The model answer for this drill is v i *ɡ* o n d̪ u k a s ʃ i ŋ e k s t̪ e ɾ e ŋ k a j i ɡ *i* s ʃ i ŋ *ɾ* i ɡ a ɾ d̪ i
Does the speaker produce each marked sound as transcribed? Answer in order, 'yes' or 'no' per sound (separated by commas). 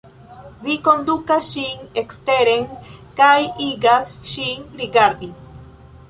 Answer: no, no, yes